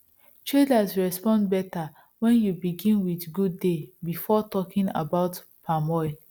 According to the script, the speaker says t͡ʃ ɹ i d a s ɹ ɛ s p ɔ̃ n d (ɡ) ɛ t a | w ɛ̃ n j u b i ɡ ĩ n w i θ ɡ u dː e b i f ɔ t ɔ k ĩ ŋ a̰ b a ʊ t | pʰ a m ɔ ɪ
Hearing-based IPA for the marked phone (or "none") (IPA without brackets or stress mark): b